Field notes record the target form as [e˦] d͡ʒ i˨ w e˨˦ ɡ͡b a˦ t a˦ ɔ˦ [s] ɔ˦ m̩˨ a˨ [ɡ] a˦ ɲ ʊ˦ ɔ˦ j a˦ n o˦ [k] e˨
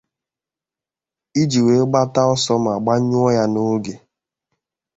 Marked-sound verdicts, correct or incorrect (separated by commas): incorrect, correct, incorrect, incorrect